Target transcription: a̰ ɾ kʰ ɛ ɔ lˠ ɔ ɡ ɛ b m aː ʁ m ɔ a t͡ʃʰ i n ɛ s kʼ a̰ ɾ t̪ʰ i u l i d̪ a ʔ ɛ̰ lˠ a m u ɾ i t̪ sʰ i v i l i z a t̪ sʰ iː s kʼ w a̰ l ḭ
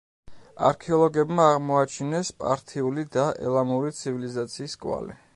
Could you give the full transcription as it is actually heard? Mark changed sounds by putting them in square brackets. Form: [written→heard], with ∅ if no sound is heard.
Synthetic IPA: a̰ ɾ kʰ ɛ ɔ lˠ ɔ ɡ ɛ b m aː ʁ m ɔ a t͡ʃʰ i n ɛ s [kʼ→pʼ] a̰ ɾ t̪ʰ i u l i d̪ a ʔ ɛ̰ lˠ a m u ɾ i t̪ sʰ i v i l i z a t̪ sʰ iː s kʼ w a̰ l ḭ